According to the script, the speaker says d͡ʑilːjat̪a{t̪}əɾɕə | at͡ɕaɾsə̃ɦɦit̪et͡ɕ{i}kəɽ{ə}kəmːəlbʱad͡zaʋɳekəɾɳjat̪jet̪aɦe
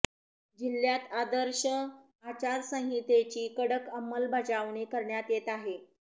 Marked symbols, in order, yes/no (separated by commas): no, no, yes